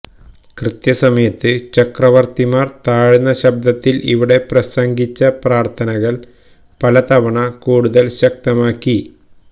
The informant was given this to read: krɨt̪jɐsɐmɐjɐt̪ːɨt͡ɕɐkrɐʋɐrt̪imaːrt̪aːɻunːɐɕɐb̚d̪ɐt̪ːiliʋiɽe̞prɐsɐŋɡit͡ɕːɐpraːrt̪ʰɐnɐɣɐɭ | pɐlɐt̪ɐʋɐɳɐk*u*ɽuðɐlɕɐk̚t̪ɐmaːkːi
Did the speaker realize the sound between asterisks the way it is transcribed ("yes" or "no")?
no